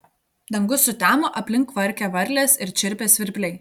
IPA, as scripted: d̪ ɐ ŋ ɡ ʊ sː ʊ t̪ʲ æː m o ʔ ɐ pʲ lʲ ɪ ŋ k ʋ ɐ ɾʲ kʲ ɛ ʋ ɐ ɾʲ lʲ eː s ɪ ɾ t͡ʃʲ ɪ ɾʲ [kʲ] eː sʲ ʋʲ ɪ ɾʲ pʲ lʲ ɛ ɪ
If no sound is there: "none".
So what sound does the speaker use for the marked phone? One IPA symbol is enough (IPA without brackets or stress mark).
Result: pʲ